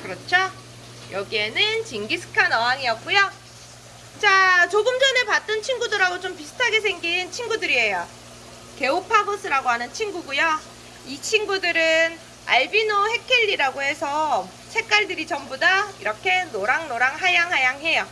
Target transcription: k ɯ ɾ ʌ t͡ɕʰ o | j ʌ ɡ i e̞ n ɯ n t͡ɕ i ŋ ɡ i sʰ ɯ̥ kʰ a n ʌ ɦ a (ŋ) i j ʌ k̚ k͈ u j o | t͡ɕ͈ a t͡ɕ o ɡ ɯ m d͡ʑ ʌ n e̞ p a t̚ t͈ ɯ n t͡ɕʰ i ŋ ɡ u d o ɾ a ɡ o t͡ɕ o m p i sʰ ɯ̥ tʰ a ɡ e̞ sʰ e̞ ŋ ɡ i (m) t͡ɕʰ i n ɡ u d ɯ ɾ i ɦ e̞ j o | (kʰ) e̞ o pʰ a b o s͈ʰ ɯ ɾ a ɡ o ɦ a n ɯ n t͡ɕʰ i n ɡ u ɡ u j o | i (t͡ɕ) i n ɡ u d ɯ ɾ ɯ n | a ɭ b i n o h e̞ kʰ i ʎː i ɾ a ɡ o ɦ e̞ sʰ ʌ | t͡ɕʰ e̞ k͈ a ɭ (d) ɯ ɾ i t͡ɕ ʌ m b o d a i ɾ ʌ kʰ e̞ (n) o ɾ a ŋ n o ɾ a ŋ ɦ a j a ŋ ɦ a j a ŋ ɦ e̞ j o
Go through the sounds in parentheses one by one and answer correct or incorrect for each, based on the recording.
correct, incorrect, incorrect, incorrect, correct, correct

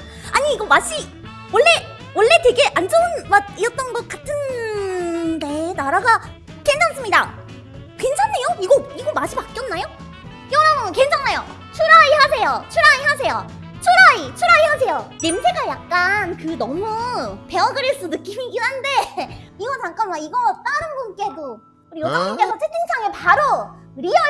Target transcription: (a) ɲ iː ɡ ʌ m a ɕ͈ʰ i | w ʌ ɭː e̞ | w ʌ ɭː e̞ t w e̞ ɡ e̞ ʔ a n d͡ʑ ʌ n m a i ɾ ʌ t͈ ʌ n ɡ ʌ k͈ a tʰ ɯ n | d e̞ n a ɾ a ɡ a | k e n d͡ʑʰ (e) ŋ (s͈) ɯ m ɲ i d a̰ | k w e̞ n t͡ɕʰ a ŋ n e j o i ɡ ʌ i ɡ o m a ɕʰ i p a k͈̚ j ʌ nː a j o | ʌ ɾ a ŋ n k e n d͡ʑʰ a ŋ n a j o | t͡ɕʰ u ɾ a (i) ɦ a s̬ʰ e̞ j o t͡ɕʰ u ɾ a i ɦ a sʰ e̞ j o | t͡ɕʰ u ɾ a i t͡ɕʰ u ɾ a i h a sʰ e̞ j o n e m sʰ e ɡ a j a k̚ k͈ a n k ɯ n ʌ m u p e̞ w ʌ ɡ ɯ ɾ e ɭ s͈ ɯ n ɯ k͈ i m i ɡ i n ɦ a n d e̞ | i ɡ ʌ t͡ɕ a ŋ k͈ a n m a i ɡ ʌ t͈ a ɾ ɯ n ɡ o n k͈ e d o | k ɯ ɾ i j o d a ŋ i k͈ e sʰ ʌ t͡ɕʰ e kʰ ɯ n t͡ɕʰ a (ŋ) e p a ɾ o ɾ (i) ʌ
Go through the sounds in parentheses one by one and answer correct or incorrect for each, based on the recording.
correct, incorrect, correct, correct, correct, correct

